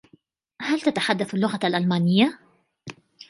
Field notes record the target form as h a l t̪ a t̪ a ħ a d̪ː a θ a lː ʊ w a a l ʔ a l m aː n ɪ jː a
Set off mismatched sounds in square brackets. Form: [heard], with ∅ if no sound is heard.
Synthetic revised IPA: h a l t̪ a t̪ a ħ a d̪ː a θ a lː ʊ [ɣ] a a l ʔ a l m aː n ɪ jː a